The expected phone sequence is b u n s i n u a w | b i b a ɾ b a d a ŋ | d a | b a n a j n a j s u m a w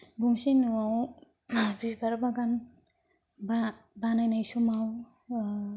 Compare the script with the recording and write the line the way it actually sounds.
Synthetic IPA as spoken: ɡ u ŋ s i n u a w | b i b a ɾ b a ɡ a n | b a | b a n a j n a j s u m a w